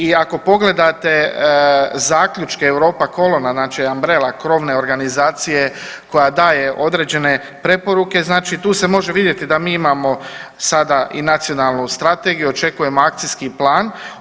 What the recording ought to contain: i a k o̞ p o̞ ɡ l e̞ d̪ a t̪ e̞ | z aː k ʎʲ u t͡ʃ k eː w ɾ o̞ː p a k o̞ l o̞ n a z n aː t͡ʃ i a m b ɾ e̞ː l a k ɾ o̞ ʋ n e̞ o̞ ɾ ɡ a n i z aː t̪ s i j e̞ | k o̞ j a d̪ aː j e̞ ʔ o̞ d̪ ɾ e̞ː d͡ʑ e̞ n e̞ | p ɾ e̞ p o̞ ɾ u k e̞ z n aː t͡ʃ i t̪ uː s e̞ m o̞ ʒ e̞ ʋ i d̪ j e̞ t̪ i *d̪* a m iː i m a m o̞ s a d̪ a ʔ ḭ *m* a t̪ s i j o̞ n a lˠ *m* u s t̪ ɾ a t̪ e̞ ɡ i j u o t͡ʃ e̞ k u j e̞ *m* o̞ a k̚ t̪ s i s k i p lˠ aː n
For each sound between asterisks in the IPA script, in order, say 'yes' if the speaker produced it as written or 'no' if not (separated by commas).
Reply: yes, no, no, yes